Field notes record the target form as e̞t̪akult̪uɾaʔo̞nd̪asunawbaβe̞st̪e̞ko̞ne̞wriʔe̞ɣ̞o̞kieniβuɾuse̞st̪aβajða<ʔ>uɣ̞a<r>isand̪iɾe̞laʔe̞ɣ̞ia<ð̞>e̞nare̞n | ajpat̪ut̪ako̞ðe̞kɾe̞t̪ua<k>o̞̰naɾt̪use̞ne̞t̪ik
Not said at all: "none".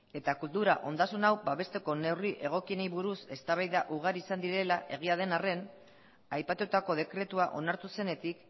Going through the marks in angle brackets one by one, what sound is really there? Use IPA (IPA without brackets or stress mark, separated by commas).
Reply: ʔ, ɾ, ð̞, ʔ